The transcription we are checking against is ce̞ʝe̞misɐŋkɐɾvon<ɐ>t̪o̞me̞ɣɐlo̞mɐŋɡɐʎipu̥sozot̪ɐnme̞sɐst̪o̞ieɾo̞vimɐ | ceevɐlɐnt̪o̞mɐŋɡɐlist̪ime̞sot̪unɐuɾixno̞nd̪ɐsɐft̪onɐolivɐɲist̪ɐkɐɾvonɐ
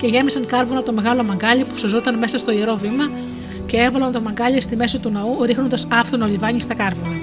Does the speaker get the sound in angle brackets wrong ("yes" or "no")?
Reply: no